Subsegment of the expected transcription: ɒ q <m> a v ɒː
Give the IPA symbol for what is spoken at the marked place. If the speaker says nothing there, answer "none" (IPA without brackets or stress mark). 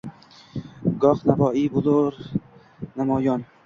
n